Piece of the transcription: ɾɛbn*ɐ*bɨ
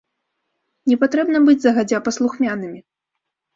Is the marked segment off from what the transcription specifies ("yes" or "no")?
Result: no